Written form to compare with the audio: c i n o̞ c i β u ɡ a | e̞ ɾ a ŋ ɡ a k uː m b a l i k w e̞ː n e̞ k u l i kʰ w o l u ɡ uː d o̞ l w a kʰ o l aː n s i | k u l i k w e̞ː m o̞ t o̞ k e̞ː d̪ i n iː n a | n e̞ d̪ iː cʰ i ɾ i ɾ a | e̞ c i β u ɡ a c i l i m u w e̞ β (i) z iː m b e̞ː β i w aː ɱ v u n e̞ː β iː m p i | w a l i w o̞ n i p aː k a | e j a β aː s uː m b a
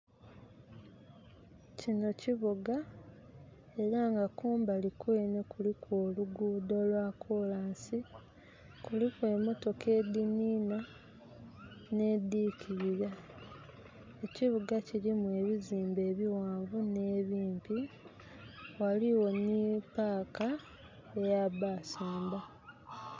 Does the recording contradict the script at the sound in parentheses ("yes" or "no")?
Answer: no